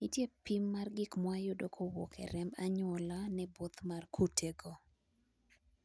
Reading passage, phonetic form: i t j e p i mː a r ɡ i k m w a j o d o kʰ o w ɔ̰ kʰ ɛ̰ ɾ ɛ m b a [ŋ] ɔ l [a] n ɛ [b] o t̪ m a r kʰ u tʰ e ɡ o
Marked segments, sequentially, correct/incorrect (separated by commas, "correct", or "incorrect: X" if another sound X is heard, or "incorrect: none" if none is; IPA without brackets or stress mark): incorrect: ɲ, correct, correct